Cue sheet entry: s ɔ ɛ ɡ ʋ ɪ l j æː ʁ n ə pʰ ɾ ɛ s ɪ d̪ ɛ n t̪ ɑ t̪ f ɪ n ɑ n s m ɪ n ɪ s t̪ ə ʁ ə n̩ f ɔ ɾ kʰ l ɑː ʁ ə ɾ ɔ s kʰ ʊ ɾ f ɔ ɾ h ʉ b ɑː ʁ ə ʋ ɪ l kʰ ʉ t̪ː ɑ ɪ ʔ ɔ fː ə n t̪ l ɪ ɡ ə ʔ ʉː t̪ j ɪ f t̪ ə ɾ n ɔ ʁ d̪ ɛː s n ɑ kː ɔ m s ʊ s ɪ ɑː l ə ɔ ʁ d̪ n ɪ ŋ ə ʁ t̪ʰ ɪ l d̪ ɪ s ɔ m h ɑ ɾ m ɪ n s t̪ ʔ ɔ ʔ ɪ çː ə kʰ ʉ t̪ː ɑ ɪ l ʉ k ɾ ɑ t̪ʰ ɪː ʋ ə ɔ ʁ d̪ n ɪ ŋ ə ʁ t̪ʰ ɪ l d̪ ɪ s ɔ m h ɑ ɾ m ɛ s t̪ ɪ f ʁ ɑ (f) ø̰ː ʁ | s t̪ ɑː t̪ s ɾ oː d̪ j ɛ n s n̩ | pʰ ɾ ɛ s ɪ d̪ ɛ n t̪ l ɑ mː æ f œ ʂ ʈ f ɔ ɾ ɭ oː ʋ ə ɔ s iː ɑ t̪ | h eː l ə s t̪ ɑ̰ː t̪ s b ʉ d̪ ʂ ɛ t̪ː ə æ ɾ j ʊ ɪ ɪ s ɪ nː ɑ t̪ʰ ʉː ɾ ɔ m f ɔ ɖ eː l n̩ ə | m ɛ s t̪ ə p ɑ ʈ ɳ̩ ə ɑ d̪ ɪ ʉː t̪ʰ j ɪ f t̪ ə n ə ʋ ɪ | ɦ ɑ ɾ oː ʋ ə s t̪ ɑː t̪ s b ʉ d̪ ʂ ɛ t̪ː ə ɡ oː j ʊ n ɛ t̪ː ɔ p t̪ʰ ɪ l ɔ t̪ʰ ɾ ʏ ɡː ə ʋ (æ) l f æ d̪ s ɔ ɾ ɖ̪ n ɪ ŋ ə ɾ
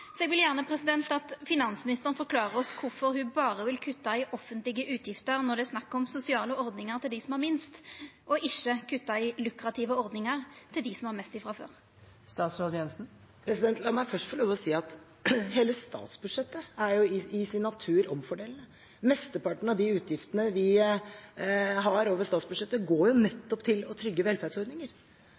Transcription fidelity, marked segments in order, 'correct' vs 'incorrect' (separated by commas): correct, incorrect